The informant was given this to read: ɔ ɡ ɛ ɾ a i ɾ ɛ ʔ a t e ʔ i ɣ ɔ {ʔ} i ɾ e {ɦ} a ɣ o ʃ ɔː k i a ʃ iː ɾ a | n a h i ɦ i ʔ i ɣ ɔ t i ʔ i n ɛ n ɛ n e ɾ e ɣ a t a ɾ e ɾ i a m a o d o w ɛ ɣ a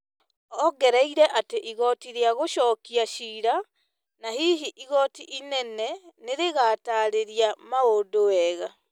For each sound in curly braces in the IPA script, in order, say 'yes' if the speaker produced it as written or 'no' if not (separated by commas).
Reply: no, no